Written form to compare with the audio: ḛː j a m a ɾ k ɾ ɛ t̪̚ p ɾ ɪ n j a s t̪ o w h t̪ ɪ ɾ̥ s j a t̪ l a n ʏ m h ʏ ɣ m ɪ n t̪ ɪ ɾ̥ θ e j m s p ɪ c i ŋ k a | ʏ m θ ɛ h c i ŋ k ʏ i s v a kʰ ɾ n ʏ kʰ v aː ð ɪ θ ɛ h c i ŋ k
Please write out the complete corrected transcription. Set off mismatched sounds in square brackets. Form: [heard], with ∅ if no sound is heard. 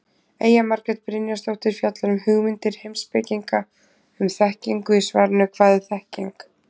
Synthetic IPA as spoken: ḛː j a m a ɾ k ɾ ɛ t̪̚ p ɾ ɪ n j a s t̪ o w h t̪ ɪ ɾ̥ [f] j a t̪ l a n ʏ m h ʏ ɣ m ɪ n t̪ ɪ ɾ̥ [h] e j m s p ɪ c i ŋ k a | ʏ m θ ɛ h c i ŋ k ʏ i s v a [∅] ɾ n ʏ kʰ v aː ð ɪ θ ɛ h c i ŋ k